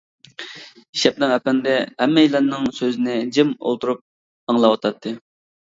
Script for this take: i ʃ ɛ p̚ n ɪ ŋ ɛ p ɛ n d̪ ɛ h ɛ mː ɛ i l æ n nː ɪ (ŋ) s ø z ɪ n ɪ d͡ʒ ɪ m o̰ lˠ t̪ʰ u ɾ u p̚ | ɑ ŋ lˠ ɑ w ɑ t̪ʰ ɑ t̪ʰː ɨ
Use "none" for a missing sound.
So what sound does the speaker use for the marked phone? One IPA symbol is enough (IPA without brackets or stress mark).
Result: ŋ